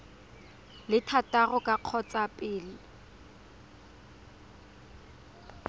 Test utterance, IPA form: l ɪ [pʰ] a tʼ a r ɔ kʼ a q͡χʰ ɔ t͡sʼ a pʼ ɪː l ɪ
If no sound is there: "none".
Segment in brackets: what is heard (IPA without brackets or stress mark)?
tʰ